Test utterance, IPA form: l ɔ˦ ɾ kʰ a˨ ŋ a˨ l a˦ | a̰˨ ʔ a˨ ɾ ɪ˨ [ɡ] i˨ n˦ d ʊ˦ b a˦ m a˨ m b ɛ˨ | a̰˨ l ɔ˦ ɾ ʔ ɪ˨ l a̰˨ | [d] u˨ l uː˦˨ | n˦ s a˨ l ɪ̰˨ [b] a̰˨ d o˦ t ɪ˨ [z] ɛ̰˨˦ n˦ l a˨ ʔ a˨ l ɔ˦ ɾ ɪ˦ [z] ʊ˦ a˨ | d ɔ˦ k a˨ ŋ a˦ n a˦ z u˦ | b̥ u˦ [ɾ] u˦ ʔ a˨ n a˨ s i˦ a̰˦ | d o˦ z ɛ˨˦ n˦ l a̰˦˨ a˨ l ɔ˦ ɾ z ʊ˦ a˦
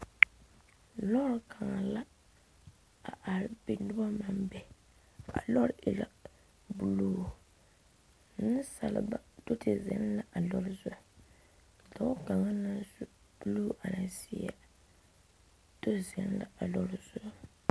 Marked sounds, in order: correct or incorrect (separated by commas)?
incorrect, incorrect, correct, correct, correct, incorrect